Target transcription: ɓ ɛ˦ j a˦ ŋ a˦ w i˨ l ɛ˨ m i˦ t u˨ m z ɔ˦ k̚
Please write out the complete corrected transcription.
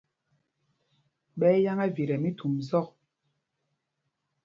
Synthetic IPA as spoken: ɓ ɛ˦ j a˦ ŋ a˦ v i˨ ɾ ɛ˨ m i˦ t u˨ m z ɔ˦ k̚